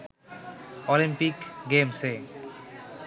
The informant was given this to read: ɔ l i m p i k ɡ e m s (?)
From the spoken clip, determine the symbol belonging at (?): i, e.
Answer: e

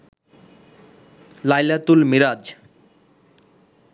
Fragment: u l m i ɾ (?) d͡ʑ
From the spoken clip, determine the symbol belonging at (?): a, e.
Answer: a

